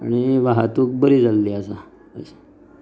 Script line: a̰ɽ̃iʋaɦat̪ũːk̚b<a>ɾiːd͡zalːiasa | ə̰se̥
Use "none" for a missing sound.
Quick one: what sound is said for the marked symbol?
ə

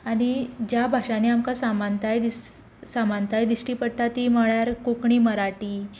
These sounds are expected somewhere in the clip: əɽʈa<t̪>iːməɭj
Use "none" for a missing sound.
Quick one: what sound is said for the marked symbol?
t̪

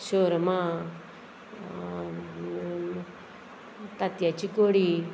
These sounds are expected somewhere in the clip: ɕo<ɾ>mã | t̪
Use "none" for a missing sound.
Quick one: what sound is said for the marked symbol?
ɾ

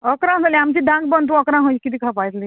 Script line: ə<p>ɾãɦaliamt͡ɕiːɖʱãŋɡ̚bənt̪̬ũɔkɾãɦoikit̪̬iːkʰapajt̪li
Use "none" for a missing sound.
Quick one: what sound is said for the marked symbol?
k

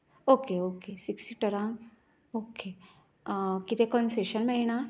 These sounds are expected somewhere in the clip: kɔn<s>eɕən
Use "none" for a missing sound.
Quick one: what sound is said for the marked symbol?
s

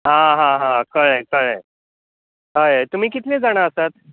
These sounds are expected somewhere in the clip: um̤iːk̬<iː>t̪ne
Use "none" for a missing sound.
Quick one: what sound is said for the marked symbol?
i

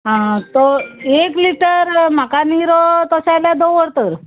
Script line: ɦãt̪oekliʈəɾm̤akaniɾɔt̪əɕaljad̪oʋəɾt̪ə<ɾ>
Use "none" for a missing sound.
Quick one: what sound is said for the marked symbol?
ɾ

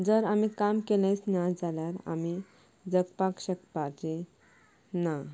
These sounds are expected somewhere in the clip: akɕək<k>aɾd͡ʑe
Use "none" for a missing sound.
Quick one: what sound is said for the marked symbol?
p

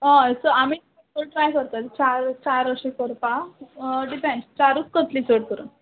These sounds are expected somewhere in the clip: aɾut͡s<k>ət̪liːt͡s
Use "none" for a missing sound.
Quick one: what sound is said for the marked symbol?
k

